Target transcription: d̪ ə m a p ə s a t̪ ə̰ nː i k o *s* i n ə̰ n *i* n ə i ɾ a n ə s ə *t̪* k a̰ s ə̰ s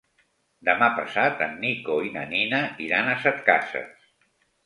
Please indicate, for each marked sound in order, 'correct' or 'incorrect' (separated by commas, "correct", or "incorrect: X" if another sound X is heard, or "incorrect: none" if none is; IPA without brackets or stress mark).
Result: incorrect: none, correct, correct